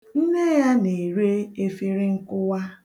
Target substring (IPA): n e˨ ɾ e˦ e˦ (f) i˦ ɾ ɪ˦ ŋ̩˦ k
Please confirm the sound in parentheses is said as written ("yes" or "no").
yes